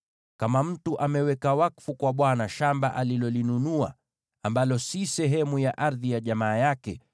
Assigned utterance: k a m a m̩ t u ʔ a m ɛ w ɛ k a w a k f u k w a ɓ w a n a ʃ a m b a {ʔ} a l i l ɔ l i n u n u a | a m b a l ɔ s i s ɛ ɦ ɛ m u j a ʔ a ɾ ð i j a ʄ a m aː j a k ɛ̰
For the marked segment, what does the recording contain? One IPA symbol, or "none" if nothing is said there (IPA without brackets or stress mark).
ʔ